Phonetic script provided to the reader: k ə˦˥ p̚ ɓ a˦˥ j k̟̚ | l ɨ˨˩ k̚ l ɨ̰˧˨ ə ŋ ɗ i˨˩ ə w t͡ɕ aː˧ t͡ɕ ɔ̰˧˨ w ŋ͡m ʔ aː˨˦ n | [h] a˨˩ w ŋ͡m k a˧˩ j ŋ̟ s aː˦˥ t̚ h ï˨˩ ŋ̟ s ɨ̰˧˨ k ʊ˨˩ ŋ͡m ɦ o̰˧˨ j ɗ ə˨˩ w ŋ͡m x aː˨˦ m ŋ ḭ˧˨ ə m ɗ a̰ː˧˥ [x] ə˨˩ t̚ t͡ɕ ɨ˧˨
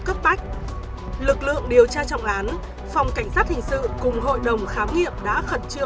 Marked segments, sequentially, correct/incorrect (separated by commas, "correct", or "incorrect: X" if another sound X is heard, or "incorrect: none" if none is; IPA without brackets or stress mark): incorrect: f, correct